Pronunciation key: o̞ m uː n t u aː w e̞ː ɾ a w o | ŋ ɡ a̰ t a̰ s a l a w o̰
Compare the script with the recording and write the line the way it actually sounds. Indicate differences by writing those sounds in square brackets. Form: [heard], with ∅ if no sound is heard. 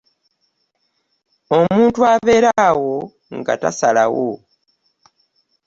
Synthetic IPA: o̞ m uː n t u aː [β] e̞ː ɾ a w o | ŋ ɡ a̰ t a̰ s a l a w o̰